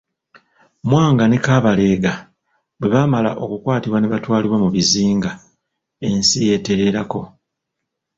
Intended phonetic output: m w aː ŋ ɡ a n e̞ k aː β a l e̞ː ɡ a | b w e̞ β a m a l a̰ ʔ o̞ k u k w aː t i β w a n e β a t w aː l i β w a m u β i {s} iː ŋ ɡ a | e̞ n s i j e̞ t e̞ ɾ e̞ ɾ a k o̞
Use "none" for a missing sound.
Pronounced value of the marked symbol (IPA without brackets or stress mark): z